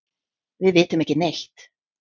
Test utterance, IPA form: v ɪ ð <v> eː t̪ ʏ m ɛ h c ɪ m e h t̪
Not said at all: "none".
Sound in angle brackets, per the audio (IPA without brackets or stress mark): v